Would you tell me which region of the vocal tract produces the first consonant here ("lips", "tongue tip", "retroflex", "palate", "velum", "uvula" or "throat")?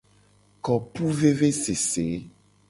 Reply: velum